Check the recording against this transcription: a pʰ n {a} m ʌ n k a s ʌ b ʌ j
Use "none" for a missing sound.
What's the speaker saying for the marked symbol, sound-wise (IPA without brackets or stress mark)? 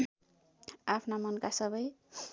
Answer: a